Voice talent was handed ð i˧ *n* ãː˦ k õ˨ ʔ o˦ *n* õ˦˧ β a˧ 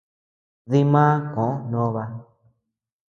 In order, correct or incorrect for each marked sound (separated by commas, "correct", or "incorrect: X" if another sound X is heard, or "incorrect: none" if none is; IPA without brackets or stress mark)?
incorrect: m, correct